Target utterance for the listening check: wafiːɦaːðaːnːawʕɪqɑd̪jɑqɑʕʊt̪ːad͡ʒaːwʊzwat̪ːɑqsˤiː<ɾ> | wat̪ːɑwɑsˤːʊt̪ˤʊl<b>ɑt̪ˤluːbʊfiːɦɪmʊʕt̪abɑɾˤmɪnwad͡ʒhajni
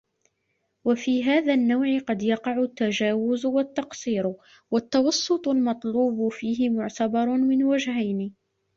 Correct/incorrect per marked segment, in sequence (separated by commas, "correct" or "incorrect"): correct, incorrect